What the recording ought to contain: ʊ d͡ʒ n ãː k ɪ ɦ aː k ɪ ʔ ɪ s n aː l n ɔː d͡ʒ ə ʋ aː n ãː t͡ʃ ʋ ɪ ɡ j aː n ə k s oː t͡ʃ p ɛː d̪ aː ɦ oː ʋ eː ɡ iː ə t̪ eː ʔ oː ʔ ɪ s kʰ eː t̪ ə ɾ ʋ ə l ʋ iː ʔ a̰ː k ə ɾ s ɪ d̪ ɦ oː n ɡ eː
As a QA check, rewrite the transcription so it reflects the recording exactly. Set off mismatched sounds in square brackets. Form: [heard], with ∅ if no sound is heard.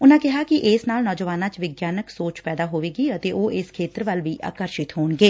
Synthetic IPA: ʊ [∅] n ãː k ɪ ɦ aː k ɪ ʔ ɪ s n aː l n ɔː d͡ʒ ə ʋ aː n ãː t͡ʃ ʋ ɪ ɡ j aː n ə k s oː t͡ʃ p ɛː d̪ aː ɦ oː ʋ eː ɡ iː ə t̪ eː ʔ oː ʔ ɪ s kʰ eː t̪ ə ɾ ʋ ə l ʋ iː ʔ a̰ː k ə ɾ [ʃ] ɪ [t̪] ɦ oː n ɡ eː